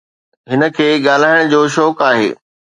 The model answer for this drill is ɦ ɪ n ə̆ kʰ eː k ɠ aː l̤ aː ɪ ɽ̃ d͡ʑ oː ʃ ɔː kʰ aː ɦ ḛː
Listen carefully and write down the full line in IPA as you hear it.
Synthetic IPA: ɦ ɪ n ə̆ kʰ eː ɠ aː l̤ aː ɪ ɽ̃ d͡ʑ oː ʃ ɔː k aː ɦ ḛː